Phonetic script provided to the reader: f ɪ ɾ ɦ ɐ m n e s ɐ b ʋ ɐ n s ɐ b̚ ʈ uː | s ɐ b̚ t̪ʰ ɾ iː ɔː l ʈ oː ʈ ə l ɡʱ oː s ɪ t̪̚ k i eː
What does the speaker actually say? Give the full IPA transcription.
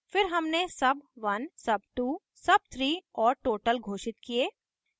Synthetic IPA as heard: f ɪ ɾ ɦ ɐ m n e s ɐ b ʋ ɐ n s ɐ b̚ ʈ uː | s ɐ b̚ t̪ʰ ɾ iː ɔː ɾ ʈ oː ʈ ə l ɡʱ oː ʃ ɪ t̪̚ k i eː